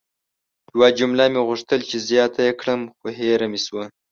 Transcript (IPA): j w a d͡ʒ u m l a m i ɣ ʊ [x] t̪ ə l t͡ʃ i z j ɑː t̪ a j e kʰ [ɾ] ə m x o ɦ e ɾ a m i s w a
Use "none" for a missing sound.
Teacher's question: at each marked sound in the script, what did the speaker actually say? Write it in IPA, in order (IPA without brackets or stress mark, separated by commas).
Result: ʂ, ɽ